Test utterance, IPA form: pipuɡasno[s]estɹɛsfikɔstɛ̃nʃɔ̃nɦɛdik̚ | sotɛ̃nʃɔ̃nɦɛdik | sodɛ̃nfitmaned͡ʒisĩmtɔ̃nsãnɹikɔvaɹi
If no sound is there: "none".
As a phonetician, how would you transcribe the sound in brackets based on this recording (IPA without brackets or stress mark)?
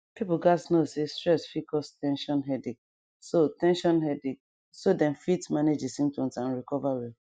s